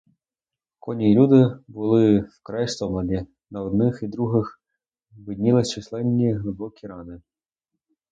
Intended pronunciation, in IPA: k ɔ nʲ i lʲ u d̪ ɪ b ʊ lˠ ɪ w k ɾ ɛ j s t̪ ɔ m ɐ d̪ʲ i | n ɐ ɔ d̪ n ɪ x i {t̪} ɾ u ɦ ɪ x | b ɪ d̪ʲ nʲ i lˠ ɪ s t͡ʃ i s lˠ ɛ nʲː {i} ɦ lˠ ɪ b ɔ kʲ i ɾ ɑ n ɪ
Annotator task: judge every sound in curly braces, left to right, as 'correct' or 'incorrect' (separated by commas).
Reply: incorrect, correct